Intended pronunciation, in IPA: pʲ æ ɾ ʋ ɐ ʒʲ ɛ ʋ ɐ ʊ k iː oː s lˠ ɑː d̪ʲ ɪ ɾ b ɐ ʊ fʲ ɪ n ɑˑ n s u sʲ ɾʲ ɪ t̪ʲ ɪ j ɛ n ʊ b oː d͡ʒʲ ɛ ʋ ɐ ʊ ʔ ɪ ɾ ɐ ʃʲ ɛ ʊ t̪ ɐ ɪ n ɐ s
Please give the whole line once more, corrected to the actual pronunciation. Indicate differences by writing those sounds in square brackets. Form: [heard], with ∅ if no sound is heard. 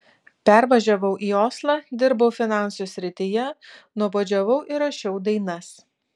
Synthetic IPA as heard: pʲ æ ɾ ʋ ɐ ʒʲ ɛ ʋ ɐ ʊ [ʔ] iː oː s lˠ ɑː d̪ʲ ɪ ɾ b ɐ ʊ fʲ ɪ n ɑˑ n s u sʲ ɾʲ ɪ t̪ʲ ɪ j ɛ n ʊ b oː d͡ʒʲ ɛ ʋ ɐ ʊ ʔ ɪ ɾ ɐ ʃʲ ɛ ʊ [d̪] ɐ ɪ n ɐ s